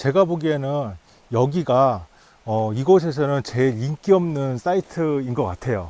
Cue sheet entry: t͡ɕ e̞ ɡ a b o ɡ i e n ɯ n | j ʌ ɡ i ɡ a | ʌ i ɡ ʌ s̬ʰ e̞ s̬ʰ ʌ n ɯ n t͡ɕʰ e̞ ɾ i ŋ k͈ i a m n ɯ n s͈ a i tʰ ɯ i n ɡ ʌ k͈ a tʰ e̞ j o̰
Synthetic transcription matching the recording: t͡ɕ e̞ ɡ a b o ɡ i e n ɯ n | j ʌ ɡ i ɡ a | ʌ i ɡ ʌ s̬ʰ e̞ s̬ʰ ʌ n ɯ n t͡ɕ e̞ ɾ i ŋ k͈ i ʌ m n ɯ n s͈ a i tʰ ɯ i n ɡ ʌ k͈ a tʰ e̞ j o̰